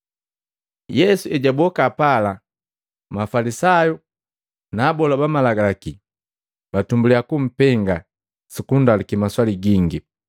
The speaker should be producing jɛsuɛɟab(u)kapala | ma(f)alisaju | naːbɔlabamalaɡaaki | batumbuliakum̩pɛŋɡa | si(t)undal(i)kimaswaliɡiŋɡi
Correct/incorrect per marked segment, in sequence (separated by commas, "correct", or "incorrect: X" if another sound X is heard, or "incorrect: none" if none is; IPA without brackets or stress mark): incorrect: ɔ, correct, incorrect: k, correct